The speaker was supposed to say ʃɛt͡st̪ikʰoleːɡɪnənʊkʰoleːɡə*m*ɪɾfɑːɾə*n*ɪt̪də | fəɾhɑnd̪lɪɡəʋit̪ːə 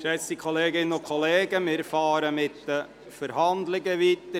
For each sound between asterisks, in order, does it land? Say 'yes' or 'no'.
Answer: yes, no

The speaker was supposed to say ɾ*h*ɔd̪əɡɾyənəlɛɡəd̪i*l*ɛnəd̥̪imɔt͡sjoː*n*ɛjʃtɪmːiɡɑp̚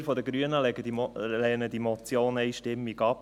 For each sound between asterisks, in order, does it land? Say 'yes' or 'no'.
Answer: no, yes, yes

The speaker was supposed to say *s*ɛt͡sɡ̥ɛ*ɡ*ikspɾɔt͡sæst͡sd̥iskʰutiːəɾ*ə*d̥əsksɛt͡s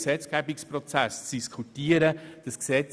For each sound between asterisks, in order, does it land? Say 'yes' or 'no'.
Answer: yes, no, yes

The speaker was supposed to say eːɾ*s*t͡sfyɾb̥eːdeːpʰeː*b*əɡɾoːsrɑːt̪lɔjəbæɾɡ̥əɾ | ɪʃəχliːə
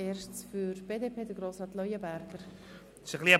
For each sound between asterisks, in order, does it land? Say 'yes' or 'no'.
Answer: no, no

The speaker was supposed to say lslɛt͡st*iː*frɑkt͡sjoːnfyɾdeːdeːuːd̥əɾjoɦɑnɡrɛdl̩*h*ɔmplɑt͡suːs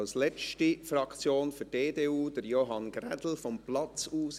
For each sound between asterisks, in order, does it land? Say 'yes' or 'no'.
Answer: no, no

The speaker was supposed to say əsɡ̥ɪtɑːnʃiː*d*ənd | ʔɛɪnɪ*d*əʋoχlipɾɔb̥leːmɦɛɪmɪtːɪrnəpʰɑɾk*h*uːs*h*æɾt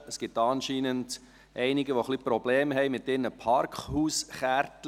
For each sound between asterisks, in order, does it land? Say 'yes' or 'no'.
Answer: no, no, yes, no

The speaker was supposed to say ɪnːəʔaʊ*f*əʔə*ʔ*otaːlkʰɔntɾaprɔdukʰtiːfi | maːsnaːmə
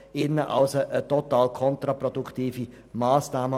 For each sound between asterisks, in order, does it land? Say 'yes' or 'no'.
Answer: no, no

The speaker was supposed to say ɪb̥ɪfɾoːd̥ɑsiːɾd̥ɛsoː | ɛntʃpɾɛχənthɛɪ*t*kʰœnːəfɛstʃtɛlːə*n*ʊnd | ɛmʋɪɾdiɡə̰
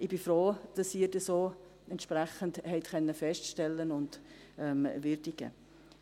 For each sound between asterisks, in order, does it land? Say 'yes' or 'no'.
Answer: yes, yes

